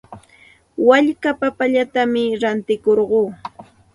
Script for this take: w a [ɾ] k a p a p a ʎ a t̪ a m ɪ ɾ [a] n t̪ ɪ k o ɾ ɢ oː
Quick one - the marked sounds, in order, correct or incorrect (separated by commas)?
incorrect, correct